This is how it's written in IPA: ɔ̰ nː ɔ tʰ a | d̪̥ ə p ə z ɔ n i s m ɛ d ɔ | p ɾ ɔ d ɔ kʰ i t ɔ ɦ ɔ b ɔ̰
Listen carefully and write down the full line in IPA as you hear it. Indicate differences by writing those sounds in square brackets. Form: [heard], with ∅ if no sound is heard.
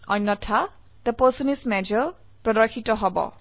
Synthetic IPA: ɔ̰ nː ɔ tʰ a | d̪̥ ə p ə [s] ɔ n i s m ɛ [d͡ʒ] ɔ | p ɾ ɔ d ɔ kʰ i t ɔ ɦ ɔ b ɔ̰